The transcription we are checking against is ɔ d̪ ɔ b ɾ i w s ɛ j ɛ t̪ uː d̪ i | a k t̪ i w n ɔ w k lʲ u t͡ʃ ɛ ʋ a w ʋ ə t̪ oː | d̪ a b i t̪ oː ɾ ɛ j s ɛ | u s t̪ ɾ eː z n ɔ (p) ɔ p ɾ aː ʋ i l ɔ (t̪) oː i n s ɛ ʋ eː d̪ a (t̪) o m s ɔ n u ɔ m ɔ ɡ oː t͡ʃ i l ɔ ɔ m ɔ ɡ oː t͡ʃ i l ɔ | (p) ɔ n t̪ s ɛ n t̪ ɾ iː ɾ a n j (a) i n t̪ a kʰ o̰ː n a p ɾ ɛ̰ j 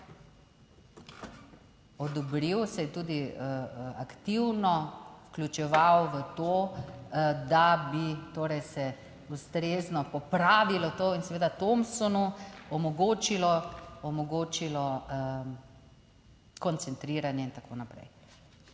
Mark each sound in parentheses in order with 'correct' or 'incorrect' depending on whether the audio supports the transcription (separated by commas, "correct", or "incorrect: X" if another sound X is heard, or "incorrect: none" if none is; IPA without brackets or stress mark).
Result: correct, correct, correct, incorrect: k, incorrect: ɛ